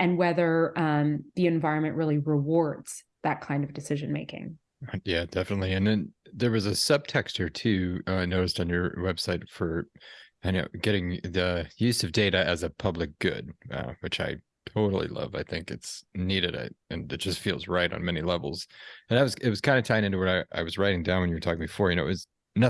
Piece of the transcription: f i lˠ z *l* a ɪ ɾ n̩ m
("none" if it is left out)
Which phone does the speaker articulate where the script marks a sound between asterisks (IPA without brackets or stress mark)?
ɹ